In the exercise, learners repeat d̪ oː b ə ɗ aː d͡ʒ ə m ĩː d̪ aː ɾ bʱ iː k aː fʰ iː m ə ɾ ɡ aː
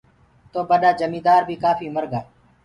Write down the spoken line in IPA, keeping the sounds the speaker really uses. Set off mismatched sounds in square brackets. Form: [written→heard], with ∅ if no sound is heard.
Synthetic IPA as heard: [d̪→t̪] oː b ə ɗ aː d͡ʒ ə m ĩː d̪ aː ɾ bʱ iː k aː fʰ iː m ə ɾ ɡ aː